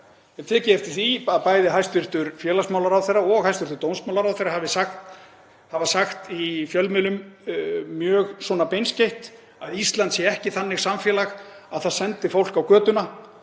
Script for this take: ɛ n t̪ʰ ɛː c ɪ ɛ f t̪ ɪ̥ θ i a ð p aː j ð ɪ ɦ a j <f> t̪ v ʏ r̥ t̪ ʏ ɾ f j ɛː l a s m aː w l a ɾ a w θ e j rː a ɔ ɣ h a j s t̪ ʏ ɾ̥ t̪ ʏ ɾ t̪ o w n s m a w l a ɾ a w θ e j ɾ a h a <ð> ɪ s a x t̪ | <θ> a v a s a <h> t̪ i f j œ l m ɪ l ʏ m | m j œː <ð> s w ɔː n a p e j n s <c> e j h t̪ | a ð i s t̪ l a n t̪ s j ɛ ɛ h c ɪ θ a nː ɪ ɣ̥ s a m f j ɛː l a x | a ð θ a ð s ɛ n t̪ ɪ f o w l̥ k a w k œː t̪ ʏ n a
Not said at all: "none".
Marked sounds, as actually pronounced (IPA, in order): s, v, h, x, ɣ, c

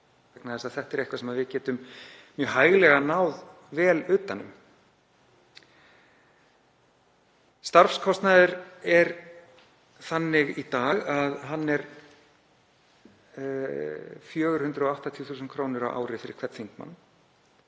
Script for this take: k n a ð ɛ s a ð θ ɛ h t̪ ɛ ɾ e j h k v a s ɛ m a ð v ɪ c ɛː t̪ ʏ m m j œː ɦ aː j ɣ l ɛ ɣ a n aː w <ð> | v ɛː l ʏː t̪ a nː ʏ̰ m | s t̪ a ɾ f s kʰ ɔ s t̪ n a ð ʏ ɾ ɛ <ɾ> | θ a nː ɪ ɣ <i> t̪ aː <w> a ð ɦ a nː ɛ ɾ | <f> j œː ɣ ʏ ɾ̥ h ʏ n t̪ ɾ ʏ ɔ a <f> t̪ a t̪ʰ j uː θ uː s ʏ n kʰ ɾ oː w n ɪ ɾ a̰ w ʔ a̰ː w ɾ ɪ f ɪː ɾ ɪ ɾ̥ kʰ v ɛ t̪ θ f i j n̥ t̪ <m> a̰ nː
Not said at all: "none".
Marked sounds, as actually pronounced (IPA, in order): ð, ɾ, i, ɣ, f, h, m

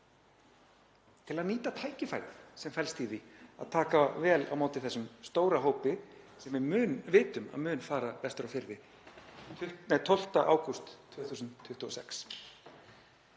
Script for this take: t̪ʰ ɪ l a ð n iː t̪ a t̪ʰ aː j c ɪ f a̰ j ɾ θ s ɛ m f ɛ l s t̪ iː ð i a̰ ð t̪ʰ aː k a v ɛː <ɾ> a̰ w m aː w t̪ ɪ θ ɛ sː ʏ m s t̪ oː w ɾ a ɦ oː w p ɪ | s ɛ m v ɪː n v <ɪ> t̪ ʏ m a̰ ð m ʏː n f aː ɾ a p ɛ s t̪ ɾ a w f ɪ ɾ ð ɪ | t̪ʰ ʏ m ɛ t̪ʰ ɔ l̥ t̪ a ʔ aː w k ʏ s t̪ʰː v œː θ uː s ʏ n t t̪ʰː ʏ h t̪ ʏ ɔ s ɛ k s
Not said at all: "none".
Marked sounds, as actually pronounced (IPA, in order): l, ɪː

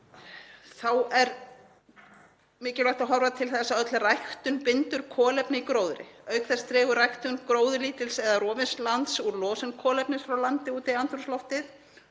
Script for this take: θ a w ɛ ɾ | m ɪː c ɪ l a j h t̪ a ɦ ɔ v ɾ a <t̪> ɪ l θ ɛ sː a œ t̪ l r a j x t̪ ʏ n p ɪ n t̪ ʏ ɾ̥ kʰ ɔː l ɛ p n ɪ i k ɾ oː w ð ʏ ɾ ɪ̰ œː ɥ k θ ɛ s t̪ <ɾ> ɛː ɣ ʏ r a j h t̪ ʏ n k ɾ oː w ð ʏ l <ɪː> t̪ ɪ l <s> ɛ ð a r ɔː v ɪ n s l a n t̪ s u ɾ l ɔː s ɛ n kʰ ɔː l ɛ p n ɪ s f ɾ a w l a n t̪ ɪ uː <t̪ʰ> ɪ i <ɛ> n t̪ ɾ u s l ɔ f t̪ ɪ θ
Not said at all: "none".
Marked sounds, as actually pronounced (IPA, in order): t̪ʰ, ɾ, iː, s, t̪, a

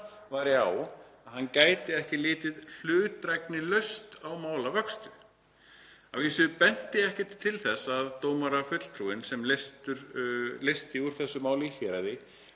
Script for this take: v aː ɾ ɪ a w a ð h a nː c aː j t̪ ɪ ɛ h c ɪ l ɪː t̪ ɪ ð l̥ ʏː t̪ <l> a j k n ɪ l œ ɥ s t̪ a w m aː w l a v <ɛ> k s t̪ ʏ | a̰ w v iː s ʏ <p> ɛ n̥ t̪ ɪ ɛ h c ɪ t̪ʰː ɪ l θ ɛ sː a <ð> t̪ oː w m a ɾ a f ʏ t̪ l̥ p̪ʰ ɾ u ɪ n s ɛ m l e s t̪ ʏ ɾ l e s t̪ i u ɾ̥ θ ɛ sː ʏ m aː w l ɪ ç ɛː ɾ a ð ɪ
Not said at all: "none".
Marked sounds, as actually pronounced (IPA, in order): ɾ, œ, p, ð

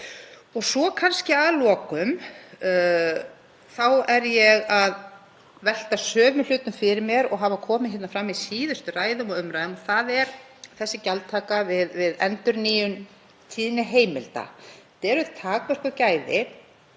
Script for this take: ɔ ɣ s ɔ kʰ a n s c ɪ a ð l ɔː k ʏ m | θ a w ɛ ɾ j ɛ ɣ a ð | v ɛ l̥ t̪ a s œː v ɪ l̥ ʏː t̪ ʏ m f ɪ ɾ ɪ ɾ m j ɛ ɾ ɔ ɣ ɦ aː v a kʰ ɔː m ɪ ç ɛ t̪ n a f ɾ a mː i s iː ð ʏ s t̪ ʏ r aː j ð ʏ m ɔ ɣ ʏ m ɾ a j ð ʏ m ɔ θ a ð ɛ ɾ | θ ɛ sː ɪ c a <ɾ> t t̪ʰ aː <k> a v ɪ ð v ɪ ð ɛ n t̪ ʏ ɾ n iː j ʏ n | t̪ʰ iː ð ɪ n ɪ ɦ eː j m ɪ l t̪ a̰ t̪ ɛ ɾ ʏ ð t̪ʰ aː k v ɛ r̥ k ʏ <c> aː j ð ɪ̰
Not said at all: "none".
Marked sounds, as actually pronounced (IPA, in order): l, k, c

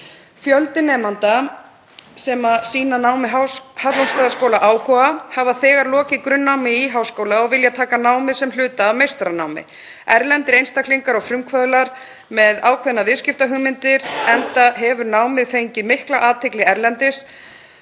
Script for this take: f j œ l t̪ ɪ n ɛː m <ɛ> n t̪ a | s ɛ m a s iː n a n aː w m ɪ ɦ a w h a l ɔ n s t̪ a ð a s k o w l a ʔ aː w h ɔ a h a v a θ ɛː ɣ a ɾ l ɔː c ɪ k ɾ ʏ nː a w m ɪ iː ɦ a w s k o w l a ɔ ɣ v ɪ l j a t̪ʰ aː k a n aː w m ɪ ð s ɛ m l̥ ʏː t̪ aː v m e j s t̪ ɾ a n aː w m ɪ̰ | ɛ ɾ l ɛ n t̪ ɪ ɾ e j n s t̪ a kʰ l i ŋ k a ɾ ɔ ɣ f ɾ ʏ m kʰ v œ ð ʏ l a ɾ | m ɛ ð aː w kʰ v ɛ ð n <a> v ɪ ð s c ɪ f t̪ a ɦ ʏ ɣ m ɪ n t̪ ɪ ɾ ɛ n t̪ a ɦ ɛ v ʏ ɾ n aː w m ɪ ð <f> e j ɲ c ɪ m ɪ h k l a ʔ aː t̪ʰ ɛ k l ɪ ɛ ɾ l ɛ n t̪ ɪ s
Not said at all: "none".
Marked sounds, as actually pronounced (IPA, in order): a, a, f

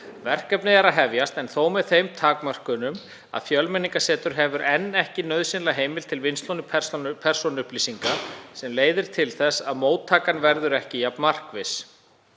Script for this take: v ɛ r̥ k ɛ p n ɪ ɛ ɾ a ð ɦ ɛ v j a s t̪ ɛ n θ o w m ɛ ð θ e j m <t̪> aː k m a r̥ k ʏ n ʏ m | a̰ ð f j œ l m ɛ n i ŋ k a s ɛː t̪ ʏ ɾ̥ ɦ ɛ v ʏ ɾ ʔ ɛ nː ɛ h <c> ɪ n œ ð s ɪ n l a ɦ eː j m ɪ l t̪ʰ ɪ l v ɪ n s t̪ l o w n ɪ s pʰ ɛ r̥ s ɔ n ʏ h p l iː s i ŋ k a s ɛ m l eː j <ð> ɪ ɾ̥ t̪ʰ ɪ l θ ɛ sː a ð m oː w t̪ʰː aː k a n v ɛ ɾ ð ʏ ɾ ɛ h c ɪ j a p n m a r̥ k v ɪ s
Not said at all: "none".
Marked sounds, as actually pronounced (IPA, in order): t̪ʰ, c, ð

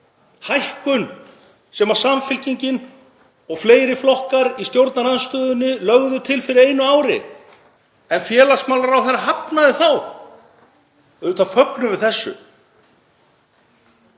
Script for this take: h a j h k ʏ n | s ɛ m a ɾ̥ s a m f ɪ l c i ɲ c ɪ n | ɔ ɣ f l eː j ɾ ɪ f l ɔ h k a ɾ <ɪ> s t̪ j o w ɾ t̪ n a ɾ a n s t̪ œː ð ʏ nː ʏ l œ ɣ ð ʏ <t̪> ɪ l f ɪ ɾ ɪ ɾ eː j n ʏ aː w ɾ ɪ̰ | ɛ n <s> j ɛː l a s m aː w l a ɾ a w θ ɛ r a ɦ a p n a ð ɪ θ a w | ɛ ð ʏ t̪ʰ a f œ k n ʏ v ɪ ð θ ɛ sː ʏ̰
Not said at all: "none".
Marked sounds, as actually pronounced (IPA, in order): i, t̪ʰ, f

